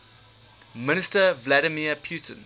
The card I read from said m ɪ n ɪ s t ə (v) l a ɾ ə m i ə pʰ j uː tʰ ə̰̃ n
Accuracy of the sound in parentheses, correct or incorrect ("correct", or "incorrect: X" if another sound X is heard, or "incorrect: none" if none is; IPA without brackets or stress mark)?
correct